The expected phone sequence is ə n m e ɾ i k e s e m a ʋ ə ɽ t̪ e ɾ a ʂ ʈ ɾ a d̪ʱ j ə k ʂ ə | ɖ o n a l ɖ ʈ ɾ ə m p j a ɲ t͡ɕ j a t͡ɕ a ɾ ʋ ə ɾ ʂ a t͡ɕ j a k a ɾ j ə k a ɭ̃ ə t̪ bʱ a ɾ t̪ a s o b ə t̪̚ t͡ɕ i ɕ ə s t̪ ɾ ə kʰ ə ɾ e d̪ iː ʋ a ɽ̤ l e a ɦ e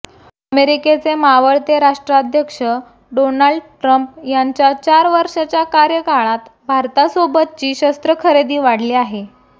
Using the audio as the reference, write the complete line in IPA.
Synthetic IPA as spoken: ə m e ɾ i k e t͡s e m a ʋ ə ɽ t̪ e ɾ a ʂ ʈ ɾ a d̪ʱ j ə k ʂ ə | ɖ o n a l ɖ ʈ ɾ ə m p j a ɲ t͡ɕ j a t͡ɕ a ɾ ʋ ə ɾ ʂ a t͡ɕ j a k a ɾ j ə k a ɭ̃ a t̪ bʱ a ɾ t̪ a s o b ə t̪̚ t͡ɕ iː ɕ ə s t̪ ɾ ə kʰ ə ɾ e d̪ iː ʋ a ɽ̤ l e a ɦ e